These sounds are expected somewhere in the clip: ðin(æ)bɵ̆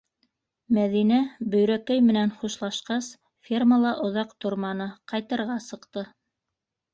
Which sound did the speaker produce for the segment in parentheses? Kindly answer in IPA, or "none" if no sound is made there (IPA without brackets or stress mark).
æ